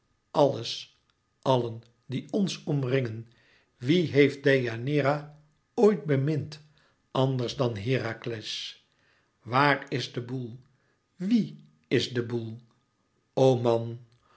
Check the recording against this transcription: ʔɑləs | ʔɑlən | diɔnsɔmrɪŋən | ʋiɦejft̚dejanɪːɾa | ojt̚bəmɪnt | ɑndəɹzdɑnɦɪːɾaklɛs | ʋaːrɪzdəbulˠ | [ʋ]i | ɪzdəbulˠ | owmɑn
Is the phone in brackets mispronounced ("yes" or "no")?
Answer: no